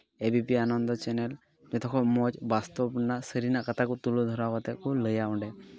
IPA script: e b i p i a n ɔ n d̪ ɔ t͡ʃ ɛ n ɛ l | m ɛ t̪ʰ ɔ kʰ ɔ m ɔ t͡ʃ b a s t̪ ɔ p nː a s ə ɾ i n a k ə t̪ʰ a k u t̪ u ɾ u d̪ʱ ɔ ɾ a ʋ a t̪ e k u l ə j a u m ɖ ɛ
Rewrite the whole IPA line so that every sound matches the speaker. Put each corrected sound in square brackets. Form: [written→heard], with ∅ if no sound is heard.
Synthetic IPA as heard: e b i p i a n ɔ n d̪ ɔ t͡ʃ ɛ n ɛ l | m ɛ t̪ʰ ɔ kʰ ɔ m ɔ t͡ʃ b a s t̪ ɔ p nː a s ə ɾ i n a k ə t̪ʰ a k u t̪ u [ɾ→l] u d̪ʱ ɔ ɾ a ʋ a t̪ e k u l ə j a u [m→ɳ] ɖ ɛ